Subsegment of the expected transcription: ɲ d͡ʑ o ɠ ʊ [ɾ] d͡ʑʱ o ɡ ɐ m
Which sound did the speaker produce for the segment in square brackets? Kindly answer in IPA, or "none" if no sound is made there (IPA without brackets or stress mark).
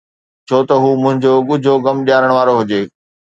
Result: none